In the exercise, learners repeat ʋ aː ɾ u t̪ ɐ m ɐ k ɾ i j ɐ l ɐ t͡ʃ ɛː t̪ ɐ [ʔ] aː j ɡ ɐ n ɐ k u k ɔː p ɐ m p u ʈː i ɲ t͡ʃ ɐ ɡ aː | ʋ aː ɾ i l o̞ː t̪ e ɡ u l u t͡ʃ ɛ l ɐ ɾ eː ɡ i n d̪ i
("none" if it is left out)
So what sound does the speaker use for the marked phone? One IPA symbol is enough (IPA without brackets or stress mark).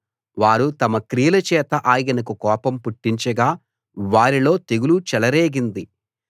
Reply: ʔ